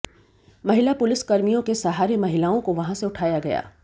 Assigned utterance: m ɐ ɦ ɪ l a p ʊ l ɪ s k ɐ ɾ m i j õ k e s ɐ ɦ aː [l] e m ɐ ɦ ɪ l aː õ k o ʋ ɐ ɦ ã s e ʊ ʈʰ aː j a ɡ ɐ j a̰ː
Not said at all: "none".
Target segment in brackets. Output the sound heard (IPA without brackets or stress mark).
ɾ